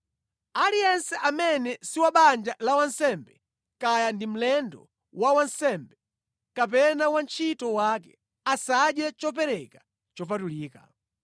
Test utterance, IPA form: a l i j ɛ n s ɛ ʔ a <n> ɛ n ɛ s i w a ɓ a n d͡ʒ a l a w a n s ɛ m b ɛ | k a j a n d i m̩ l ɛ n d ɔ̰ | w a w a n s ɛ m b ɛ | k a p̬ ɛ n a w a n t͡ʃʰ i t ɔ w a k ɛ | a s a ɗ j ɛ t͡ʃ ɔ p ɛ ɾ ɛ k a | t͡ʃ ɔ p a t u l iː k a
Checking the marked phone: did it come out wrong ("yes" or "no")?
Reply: yes